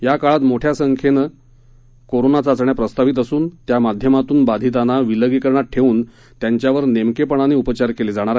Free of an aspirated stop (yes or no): no